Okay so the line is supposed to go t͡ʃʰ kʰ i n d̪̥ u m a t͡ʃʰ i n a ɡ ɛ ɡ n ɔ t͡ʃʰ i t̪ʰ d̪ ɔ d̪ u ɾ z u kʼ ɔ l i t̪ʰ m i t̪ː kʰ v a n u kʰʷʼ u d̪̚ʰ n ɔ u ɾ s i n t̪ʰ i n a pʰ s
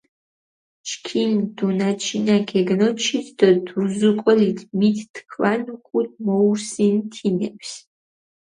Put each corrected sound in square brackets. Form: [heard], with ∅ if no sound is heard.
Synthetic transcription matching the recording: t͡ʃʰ kʰ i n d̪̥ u [n] a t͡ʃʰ i n a ɡ ɛ ɡ n ɔ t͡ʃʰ i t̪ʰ d̪ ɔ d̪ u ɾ z u kʼ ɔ l i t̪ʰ m i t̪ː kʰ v a n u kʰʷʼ u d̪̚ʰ [m] ɔ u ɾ s i n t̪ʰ i n [ɛ] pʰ s